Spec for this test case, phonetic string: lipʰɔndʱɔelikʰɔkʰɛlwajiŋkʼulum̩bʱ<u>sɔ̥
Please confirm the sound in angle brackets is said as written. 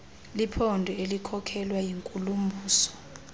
no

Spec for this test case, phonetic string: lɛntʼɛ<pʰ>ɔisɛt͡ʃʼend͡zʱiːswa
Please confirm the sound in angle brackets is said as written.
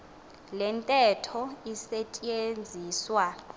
no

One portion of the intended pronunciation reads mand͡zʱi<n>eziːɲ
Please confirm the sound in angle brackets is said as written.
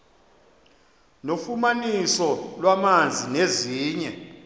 yes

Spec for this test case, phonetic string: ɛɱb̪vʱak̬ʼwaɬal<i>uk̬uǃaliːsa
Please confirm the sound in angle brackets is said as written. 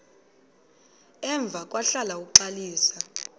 no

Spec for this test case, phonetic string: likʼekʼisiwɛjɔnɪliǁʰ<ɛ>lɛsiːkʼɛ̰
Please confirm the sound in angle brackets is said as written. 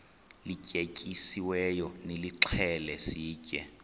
yes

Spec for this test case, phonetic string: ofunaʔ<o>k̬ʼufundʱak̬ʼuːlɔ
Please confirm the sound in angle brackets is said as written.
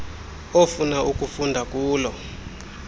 no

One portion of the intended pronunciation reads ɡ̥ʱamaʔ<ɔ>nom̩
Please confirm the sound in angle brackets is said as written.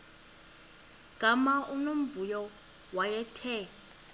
no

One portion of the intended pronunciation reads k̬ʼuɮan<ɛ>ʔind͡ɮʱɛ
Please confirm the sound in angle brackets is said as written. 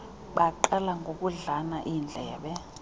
no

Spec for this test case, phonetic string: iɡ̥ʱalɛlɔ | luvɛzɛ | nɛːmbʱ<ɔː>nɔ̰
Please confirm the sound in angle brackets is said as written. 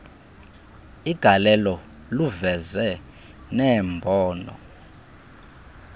yes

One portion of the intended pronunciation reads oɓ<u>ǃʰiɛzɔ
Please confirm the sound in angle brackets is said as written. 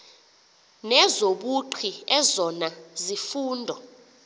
yes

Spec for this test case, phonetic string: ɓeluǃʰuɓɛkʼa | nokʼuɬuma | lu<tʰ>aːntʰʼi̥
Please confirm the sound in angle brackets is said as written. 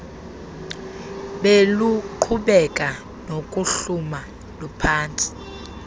no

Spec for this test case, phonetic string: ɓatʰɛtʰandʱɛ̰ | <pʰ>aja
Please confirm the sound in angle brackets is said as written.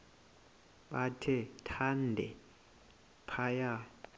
yes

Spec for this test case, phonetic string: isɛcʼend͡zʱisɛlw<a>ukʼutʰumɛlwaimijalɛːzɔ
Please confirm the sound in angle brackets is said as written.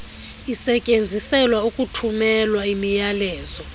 yes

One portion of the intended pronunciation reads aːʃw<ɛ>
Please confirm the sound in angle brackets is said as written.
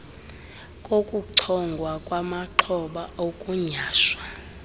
no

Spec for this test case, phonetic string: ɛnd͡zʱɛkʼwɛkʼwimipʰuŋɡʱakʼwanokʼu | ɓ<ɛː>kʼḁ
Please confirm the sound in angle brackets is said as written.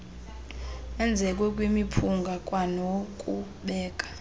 yes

